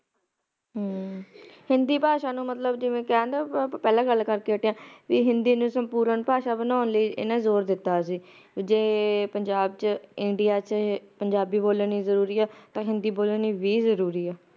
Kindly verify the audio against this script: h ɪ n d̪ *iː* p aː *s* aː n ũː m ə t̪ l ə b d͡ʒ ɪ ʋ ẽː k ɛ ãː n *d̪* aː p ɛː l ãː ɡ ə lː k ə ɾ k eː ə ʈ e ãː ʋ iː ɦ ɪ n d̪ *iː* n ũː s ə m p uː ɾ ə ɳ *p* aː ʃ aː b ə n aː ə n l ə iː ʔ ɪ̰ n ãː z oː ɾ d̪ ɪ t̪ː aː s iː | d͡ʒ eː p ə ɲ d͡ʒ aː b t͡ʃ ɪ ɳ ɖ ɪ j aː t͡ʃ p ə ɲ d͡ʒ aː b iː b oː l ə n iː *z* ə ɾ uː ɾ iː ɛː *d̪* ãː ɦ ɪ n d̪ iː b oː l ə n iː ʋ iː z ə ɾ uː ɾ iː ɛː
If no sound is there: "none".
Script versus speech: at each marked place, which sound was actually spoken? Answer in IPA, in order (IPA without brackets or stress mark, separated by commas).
iː, ʃ, d̪, iː, p, z, t̪